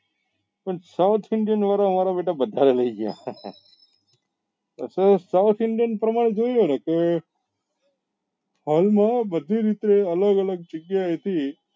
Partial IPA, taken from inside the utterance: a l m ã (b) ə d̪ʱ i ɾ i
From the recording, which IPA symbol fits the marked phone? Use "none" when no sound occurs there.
b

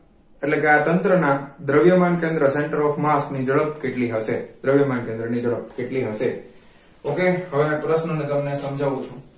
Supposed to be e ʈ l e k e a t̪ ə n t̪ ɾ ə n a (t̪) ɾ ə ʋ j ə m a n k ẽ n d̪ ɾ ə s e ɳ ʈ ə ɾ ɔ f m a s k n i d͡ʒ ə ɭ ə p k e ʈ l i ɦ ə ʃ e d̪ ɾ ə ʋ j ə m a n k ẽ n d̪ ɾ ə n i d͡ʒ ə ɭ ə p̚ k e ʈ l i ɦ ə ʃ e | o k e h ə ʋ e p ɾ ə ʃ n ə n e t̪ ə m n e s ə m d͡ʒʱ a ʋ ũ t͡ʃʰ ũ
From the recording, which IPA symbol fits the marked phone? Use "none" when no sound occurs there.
d̪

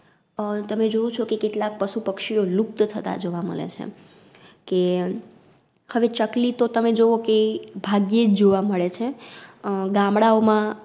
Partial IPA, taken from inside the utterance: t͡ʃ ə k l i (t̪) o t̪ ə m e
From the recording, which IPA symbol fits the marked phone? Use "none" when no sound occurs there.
t̪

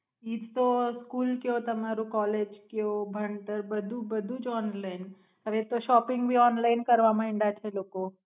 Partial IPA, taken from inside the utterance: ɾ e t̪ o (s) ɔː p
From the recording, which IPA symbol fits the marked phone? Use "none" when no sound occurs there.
ʃ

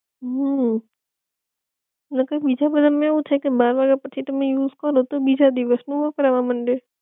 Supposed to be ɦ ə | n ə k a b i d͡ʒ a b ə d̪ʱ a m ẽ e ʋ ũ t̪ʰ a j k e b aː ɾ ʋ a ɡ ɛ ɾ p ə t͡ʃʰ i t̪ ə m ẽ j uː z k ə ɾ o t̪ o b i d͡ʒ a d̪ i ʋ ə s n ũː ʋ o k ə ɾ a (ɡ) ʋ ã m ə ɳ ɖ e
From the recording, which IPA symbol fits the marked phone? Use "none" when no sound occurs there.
none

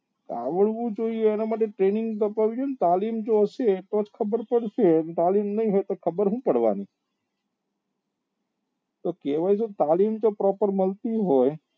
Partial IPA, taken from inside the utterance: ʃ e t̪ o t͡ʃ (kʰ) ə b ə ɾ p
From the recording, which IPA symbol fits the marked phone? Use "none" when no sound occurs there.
kʰ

